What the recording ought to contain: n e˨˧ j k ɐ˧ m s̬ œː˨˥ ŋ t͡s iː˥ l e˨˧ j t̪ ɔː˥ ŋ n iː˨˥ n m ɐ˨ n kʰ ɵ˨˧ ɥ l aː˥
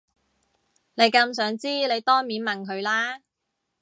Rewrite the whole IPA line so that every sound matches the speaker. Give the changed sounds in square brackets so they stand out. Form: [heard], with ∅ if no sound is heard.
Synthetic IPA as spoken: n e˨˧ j k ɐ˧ m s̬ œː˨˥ ŋ t͡s iː˥ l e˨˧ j t̪ ɔː˥ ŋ [m] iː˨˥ n m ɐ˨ n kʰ ɵ˨˧ ɥ l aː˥